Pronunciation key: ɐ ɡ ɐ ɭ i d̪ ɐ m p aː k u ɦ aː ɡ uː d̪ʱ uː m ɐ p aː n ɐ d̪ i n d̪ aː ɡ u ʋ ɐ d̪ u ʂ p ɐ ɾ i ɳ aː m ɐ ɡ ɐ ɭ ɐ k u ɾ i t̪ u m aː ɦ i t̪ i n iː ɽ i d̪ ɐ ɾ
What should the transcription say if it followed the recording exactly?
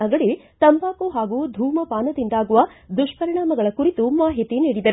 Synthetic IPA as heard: ɐ ɡ ɐ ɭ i t̪ ɐ m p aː k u ɦ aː ɡ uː d̪ʱ uː m ɐ p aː n ɐ d̪ i n d̪ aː ɡ u ʋ ɐ d̪ u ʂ p ɐ ɾ i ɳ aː m ɐ ɡ ɐ ɭ ɐ k u ɾ i t̪ u m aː ɦ i t̪ i n iː ɽ i d̪ ɐ ɾ